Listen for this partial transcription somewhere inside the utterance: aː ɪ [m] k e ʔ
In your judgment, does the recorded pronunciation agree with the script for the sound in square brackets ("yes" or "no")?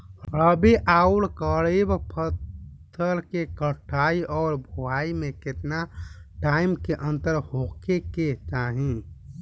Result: yes